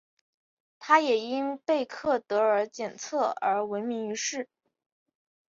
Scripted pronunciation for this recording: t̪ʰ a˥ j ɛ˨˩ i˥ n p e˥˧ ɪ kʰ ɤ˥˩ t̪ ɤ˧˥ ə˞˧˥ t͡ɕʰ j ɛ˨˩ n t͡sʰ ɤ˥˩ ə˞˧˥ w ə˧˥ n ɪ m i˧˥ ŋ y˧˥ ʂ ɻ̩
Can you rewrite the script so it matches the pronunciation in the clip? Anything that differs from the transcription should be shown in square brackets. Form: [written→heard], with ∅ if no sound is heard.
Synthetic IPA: t̪ʰ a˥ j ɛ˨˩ i˥ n p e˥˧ ɪ kʰ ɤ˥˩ t̪ ɤ˧˥ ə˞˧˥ [t͡ɕʰ→t͡ɕ] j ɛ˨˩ n t͡sʰ ɤ˥˩ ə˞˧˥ w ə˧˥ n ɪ m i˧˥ ŋ y˧˥ ʂ ɻ̩